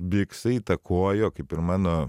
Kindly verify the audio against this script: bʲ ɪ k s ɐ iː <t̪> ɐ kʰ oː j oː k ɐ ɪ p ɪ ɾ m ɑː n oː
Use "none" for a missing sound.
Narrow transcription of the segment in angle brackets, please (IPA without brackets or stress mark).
t̪